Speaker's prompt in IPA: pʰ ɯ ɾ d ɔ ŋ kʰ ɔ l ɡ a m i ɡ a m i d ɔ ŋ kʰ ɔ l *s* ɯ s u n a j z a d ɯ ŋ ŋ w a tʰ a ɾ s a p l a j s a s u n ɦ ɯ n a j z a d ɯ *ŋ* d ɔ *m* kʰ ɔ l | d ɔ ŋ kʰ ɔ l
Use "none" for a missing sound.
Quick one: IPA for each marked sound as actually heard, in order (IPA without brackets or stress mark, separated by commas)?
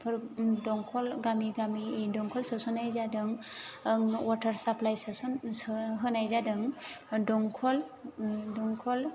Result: s, ŋ, ŋ